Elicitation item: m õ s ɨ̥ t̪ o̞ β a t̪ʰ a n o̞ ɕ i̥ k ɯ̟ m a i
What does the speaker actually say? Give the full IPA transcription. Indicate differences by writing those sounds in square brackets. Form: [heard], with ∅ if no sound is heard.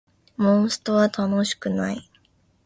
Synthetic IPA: m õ s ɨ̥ t̪ o̞ β a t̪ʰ a n o̞ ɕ i̥ k ɯ̟ [n] a i

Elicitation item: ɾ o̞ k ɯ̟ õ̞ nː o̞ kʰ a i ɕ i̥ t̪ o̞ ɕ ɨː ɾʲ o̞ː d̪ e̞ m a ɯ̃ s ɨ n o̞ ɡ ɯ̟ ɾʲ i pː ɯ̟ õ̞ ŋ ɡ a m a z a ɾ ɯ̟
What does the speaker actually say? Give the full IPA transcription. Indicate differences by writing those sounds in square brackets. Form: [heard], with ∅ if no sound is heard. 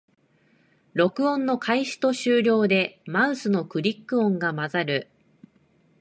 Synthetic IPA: ɾ o̞ k ɯ̟ õ̞ nː o̞ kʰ a i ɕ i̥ t̪ o̞ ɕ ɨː ɾʲ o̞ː d̪ e̞ m a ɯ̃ s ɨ n o̞ [k] ɯ̟ ɾʲ i [kː] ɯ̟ õ̞ ŋ ɡ a m a z a ɾ ɯ̟

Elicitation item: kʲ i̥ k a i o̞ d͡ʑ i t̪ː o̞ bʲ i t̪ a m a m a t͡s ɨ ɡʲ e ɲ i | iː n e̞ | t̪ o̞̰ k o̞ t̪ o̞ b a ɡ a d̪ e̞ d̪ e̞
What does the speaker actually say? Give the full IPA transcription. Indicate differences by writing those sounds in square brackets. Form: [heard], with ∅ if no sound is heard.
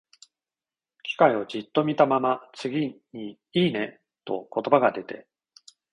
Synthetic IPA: kʲ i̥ k a i o̞ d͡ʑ i t̪ː o̞ [mʲ] i t̪ a m a m a t͡s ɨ ɡʲ [i] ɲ i | iː n e̞ | t̪ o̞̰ k o̞ t̪ o̞ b a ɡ a d̪ e̞ [t̪] e̞

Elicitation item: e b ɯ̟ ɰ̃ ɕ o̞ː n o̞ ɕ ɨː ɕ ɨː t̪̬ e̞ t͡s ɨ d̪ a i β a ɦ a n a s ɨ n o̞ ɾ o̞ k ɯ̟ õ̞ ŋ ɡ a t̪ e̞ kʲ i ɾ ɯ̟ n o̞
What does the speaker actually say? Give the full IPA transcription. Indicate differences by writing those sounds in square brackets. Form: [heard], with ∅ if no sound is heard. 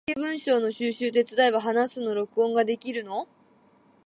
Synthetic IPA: e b [ɯ̟̃] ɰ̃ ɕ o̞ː n o̞ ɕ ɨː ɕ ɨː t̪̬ e̞ t͡s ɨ d̪ a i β a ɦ a n a s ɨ n o̞ ɾ o̞ k ɯ̟ õ̞ ŋ ɡ a [d̪] e̞ kʲ i ɾ ɯ̟ n o̞

